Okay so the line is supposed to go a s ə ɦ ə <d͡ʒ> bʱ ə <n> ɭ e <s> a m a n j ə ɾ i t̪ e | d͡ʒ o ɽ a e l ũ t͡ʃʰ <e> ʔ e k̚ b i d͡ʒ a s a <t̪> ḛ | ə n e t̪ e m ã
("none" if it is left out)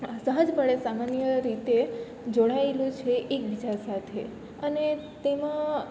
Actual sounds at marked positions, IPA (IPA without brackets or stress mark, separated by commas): d͡ʒ, none, s, e, t̪ʰ